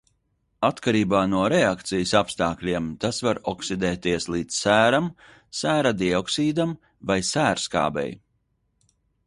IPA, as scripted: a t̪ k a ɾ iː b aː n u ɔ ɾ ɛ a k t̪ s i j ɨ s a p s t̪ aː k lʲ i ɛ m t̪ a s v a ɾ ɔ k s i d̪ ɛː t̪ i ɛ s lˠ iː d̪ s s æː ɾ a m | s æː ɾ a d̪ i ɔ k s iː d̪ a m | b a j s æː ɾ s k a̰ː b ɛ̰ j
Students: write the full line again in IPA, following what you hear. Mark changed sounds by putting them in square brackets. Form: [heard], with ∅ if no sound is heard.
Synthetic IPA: a t̪ k a ɾ iː b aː n u ɔ ɾ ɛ a k t̪ s i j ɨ s a p s t̪ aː k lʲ i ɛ m t̪ a s v a ɾ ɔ k s i d̪ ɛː t̪ i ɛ s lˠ iː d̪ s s æː ɾ a m | s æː ɾ a d̪ i ɔ k s iː d̪ a m | [v] a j s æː ɾ s k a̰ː b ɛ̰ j

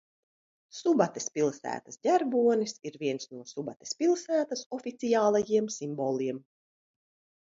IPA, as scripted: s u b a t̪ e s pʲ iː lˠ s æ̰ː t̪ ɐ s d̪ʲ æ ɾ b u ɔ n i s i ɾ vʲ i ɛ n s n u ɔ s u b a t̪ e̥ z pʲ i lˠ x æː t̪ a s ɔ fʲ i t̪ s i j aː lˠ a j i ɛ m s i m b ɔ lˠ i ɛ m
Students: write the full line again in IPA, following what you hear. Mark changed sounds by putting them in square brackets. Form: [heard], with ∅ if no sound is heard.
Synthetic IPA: s u b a t̪ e s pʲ [i] lˠ s æ̰ː t̪ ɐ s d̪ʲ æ ɾ b u ɔ n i s i ɾ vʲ i ɛ n s n u ɔ s u b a t̪ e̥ [s] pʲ i lˠ [s] æː t̪ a s ɔ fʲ i t̪ s i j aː lˠ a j i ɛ m s i m b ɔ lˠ i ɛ m

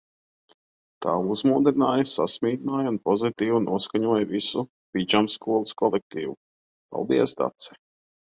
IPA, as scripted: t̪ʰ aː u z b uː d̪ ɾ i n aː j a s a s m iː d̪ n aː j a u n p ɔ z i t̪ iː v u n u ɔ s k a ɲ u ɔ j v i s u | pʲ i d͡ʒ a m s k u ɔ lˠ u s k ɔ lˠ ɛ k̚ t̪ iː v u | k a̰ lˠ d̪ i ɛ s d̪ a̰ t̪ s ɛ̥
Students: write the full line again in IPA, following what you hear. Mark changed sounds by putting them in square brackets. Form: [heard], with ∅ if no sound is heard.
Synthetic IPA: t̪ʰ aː u z [m] uː d̪ ɾ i n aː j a s a s m iː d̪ n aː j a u n p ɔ z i t̪ iː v u n u ɔ s k a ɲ u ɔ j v i s u | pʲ i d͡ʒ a m s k u ɔ lˠ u s k ɔ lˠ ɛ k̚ t̪ iː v u | [p] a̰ lˠ d̪ i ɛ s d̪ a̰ t̪ s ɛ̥

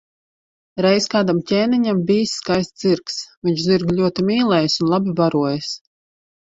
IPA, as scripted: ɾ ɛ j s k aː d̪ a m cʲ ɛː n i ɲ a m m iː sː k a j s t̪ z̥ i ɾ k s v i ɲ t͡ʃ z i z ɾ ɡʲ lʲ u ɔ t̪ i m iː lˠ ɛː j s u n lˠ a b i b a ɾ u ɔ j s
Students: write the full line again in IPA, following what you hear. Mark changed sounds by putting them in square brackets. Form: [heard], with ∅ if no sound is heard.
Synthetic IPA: ɾ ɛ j s k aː d̪ a m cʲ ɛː n i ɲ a m [b] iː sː k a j s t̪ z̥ i ɾ k s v i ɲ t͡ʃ z i [∅] ɾ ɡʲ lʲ u ɔ t̪ i m iː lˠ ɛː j s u n lˠ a b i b a ɾ u ɔ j s

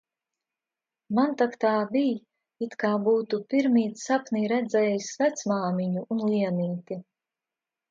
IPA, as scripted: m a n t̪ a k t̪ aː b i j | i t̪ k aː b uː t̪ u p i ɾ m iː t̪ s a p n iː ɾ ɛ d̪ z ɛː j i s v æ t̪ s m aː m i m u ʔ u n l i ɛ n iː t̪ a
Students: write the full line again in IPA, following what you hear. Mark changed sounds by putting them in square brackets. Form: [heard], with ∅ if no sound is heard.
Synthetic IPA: m a n t̪ a k t̪ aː b i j | i t̪ k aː b uː t̪ u p i ɾ m iː t̪ s a p n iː ɾ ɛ d̪ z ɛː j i s v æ t̪ s m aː m i [ɲ] u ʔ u n l i ɛ n iː t̪ [i]

